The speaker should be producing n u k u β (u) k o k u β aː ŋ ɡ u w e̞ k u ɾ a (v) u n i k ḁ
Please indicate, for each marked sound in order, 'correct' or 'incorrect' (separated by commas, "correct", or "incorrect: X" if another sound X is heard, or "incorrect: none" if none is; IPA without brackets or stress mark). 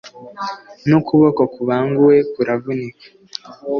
incorrect: o, correct